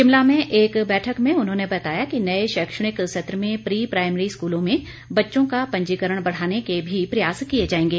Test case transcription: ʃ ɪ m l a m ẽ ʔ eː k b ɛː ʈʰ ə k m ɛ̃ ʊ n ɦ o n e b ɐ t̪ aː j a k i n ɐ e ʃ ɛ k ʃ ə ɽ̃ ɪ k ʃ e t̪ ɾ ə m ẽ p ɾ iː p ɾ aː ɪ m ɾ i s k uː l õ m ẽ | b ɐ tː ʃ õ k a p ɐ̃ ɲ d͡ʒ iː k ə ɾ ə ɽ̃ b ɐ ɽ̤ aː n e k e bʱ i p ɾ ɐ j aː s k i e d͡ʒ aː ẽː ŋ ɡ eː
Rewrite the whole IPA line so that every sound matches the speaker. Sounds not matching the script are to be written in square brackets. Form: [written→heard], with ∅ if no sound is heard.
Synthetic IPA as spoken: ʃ ɪ m l a m ẽ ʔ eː k b ɛː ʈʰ ə k m [ɛ̃→ẽ] ʊ n ɦ [o→õ] n e b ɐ t̪ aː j a k i n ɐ e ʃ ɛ k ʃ ə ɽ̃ ɪ k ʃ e t̪ ɾ ə m ẽ p ɾ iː p ɾ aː ɪ m ɾ i s k uː l õ m ẽ | b ɐ tː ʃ õ k a p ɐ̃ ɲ d͡ʒ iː k ə ɾ ə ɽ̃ b ɐ ɽ̤ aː n e k e bʱ i p ɾ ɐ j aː s k i e d͡ʒ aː ẽː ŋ ɡ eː